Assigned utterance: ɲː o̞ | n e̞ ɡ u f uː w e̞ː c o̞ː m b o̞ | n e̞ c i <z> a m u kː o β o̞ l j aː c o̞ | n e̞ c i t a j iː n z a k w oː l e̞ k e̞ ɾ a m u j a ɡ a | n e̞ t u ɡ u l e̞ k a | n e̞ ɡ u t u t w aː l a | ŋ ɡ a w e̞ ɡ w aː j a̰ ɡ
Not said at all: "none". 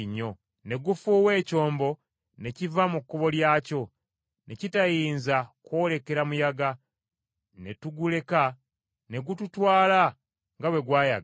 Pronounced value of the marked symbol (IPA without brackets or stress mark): v